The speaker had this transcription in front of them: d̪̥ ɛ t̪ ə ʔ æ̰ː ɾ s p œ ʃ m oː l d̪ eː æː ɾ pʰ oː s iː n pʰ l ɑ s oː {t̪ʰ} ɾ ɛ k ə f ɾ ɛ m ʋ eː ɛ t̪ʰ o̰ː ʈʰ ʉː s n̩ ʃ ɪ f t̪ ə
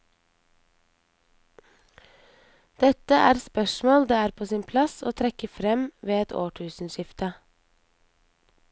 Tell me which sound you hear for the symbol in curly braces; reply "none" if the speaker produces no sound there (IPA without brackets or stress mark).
t̪ʰ